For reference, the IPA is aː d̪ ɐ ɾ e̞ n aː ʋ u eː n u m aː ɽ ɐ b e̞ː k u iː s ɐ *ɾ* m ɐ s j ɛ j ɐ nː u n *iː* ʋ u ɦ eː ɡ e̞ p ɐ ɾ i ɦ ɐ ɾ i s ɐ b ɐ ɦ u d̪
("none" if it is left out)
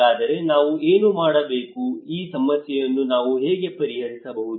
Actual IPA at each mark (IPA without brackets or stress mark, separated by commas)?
none, aː